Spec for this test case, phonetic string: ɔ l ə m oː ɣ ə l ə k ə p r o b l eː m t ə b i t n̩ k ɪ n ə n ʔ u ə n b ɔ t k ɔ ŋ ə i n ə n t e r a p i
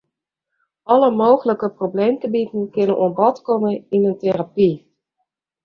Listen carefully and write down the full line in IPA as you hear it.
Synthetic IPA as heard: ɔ l ə m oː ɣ ə l ə k ə p r o b l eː m t ə b i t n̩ k ɪ n ə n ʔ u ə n b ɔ t k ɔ m ə i n ə n t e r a p i